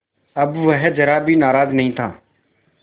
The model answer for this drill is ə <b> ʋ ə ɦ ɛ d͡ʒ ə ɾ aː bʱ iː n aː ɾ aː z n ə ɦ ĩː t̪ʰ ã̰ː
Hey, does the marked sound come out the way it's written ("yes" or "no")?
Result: yes